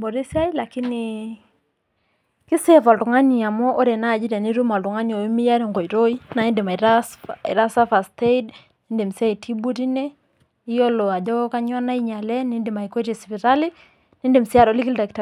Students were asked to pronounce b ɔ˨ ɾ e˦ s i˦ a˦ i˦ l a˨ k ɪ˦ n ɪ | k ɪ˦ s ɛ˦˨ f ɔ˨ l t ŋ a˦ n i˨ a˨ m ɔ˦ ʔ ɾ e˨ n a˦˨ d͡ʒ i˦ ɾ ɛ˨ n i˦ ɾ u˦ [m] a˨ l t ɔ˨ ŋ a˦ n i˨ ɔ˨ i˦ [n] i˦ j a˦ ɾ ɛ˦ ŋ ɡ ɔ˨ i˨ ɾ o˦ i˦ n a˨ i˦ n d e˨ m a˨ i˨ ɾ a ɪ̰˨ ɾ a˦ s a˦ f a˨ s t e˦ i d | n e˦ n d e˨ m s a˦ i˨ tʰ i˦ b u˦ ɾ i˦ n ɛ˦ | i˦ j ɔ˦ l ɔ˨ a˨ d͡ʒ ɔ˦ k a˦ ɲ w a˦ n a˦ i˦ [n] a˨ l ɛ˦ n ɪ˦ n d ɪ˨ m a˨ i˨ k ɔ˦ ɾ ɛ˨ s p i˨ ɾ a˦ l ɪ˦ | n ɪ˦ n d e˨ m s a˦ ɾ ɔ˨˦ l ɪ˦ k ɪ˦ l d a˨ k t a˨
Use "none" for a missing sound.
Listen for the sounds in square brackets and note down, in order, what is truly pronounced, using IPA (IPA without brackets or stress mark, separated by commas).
m, m, ɲ